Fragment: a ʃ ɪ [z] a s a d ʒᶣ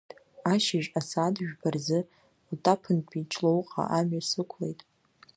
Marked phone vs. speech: incorrect: ʒ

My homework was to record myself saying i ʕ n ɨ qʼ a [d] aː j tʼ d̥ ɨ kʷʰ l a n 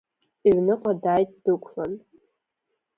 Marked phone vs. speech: correct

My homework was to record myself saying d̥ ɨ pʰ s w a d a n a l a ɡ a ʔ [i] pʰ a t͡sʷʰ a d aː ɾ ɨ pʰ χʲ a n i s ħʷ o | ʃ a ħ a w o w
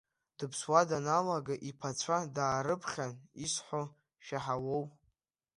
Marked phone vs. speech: correct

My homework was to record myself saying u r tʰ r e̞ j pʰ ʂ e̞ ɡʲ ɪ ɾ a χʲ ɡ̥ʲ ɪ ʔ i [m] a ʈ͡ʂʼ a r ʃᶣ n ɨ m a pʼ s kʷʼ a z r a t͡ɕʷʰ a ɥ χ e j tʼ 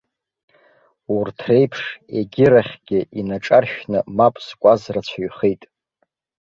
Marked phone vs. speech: incorrect: n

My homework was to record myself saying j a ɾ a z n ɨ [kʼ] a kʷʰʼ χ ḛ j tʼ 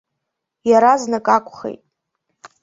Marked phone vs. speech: correct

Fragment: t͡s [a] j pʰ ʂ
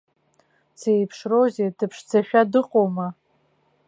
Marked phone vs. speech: incorrect: e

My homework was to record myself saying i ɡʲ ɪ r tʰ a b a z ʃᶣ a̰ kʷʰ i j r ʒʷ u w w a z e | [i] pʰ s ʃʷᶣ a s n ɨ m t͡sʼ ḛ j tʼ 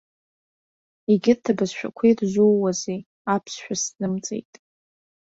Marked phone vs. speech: incorrect: a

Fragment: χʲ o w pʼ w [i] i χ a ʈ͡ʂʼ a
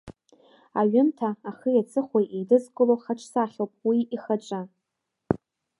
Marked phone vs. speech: correct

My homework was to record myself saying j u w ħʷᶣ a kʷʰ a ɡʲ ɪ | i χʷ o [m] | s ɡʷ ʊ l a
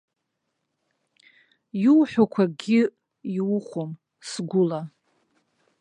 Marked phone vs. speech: correct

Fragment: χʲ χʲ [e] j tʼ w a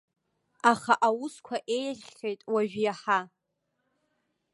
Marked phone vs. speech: correct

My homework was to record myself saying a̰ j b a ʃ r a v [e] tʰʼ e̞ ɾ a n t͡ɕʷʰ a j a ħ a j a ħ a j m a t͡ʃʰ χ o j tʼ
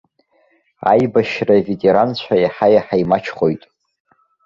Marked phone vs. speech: correct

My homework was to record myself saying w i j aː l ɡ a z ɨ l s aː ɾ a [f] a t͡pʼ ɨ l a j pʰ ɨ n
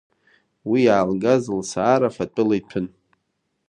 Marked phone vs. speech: correct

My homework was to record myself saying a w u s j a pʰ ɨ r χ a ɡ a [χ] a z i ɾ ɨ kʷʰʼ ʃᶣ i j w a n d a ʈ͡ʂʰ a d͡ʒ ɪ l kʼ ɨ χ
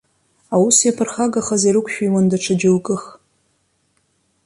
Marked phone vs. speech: correct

